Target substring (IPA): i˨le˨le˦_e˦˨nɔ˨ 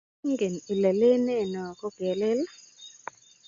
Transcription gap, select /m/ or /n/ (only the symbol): n